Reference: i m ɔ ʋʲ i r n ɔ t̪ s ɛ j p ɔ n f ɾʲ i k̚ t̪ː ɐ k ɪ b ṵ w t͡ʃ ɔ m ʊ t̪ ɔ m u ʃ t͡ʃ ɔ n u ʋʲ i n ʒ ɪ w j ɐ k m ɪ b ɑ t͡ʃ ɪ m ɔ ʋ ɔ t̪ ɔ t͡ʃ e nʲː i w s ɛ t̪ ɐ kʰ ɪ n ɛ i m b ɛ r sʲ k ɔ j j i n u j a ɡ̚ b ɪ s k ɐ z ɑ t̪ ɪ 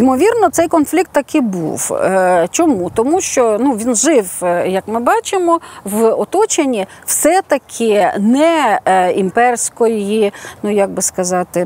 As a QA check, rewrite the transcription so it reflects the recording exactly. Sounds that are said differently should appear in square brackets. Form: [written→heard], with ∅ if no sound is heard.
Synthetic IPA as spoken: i m ɔ ʋʲ i r n ɔ t̪ s ɛ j [p→k] ɔ n f [ɾʲ→lʲ] i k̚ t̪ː ɐ k ɪ b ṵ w t͡ʃ ɔ m [ʊ→u] t̪ ɔ m u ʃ t͡ʃ ɔ n u ʋʲ i n ʒ ɪ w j ɐ k m ɪ b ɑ t͡ʃ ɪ m ɔ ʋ ɔ t̪ ɔ t͡ʃ e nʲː i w s ɛ t̪ ɐ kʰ ɪ n ɛ i m [b→p] ɛ r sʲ k ɔ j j i n u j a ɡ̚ b ɪ s k ɐ z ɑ t̪ ɪ